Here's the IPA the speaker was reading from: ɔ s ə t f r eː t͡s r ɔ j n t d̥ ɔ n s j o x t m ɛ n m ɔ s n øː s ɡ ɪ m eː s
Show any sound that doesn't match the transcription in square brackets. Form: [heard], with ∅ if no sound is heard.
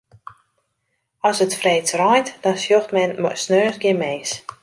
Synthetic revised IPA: ɔ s ə t f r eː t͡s r ɔ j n t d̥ ɔ n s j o x t m ɛ n m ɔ s n øː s ɡ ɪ m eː s